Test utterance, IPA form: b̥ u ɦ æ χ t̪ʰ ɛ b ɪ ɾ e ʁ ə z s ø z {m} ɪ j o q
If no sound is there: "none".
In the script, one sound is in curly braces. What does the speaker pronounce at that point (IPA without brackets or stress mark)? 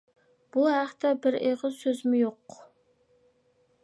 m